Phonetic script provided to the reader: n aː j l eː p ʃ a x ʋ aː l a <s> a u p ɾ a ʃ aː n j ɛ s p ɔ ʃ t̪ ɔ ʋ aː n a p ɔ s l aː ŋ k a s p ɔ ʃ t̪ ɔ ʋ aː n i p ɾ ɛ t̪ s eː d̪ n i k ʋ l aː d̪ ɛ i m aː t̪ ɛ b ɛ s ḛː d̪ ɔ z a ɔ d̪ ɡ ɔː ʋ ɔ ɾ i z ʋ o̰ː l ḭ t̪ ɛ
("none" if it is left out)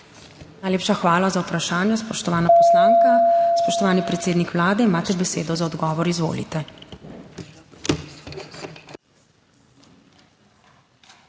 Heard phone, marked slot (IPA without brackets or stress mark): z